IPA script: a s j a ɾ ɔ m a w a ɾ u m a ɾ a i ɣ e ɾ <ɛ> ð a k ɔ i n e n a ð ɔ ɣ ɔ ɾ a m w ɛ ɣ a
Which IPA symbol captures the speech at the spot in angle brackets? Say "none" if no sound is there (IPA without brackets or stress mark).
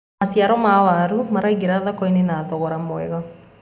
a